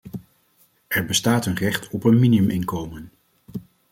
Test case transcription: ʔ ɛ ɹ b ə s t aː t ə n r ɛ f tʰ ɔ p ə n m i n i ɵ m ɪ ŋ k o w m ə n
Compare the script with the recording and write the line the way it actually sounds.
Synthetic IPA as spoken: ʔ ɛ ɹ b ə s t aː t ə n r ɛ χ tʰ ɔ p ə n m i n i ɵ m ɪ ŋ k o w m ə n